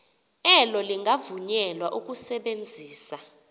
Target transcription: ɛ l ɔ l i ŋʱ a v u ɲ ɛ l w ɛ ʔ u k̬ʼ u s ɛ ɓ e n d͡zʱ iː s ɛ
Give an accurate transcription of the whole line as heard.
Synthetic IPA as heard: ɛ l ɔ l i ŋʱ a v u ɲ ɛ l w a ʔ u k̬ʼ u s ɛ ɓ e n d͡zʱ iː s a